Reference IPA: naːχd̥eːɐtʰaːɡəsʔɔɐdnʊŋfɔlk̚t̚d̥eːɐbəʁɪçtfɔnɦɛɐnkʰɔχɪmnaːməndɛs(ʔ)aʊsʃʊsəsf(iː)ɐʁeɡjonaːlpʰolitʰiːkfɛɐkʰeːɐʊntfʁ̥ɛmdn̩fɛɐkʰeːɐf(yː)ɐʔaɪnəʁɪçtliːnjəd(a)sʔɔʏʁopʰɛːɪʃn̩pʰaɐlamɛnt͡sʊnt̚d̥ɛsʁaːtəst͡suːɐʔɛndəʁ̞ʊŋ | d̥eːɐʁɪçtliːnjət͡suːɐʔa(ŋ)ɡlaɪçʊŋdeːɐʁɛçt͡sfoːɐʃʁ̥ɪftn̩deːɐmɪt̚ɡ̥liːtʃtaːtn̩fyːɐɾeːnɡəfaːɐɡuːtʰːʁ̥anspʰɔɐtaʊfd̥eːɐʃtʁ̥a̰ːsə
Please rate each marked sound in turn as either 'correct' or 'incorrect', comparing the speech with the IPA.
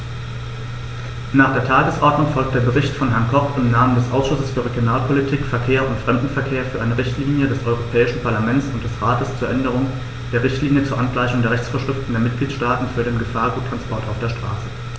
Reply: correct, incorrect: yː, correct, incorrect: ɛ, incorrect: n

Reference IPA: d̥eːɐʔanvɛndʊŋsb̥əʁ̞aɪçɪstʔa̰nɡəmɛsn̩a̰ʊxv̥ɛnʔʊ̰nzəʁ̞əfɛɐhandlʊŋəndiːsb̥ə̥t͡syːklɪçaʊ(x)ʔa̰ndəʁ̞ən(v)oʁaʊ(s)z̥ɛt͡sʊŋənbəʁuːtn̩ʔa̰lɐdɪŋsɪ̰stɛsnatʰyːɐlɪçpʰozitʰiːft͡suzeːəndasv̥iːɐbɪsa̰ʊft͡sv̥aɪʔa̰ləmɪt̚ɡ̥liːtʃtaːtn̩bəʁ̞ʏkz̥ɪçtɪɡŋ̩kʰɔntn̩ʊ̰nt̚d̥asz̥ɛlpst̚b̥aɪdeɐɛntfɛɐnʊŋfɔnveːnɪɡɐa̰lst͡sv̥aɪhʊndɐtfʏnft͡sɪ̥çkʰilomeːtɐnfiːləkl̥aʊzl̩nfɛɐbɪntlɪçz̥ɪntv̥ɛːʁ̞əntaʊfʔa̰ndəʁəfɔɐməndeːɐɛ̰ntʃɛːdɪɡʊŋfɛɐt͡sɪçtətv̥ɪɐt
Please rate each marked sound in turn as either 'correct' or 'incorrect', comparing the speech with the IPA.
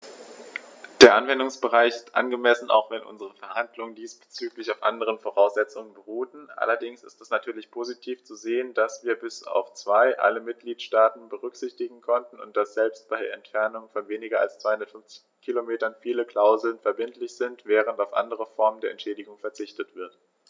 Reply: incorrect: f, incorrect: f, correct

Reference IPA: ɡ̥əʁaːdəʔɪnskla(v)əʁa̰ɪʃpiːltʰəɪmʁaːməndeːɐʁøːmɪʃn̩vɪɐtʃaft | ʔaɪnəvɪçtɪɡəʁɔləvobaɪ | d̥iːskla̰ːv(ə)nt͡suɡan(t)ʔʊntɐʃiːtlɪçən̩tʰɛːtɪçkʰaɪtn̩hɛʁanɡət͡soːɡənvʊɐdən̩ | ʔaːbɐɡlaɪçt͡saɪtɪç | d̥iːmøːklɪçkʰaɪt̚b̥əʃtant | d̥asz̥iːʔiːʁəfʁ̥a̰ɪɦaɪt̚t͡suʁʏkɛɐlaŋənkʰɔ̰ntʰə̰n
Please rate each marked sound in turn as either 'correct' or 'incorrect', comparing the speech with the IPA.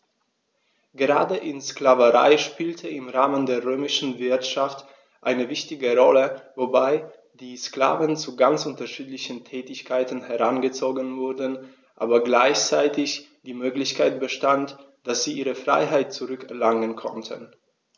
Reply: correct, correct, incorrect: t͡s

